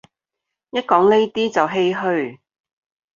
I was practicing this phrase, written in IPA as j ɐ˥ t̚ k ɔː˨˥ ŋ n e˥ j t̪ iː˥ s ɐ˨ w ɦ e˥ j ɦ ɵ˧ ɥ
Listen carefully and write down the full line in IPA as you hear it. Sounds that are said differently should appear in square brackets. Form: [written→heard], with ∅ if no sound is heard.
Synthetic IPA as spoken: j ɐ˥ t̚ k ɔː˨˥ ŋ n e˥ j t̪ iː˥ [s→t͡s] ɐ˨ w ɦ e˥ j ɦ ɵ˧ ɥ